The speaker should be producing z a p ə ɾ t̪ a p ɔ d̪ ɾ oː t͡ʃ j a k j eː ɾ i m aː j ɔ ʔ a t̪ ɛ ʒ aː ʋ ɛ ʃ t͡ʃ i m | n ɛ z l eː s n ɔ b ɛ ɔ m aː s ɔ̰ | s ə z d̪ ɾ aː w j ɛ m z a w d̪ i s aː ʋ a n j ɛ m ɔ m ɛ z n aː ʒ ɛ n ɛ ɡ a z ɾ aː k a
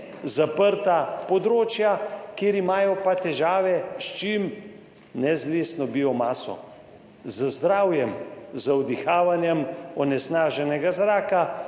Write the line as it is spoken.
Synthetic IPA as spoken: z a p ə ɾ t̪ a p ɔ d̪ ɾ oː t͡ʃ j a k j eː ɾ i m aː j ɔ p a t̪ ɛ ʒ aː ʋ ɛ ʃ t͡ʃ i m | n ɛ z l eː s n ɔ b i ɔ m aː s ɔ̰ | z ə z d̪ ɾ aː w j ɛ m z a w d̪ i x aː ʋ a n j ɛ m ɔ n ɛ s n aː ʒ ɛ n ɛ ɡ a z ɾ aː k a